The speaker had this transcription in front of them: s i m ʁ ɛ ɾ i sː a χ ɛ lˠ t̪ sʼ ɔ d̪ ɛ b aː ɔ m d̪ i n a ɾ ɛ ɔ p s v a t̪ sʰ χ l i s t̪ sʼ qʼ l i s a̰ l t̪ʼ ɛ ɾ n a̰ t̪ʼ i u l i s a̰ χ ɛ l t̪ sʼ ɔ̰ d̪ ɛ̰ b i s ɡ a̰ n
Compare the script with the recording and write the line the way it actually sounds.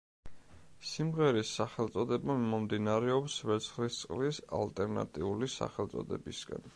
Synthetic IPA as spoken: s i m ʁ ɛ ɾ i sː a χ ɛ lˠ t̪ sʼ ɔ d̪ ɛ b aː ɔ m d̪ i n a ɾ ɛ ɔ p s v ɛ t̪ sʰ χ l i s t̪ sʼ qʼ l i s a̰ l t̪ʼ ɛ ɾ n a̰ t̪ʼ i u l i s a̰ χ ɛ l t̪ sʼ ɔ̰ d̪ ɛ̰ b i s ɡ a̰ n